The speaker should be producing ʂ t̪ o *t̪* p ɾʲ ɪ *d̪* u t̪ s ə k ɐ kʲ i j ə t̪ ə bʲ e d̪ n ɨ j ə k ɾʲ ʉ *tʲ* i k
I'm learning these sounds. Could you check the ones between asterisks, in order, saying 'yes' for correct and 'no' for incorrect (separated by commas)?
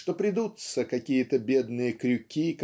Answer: no, yes, no